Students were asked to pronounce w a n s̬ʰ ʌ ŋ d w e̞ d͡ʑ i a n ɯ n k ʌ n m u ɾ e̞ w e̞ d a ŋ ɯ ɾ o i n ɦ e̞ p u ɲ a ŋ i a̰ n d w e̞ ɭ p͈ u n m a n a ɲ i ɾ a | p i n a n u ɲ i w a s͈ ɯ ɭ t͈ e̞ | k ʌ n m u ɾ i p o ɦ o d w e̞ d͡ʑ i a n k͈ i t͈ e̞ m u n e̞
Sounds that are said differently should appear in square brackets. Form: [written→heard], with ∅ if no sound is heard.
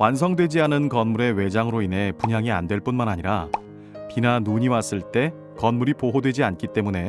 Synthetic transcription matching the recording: w a n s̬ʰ ʌ ŋ d w e̞ d͡ʑ i a n ɯ n k ʌ n m u ɾ e̞ w e̞ [d→d͡ʑ] a ŋ ɯ ɾ o i n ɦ e̞ p u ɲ a ŋ i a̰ n d w e̞ ɭ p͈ u n m a n a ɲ i ɾ a | p i n a n u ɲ i w a s͈ ɯ ɭ t͈ e̞ | k ʌ n m u ɾ i p o ɦ o d w e̞ d͡ʑ i a n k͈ i t͈ e̞ m u n e̞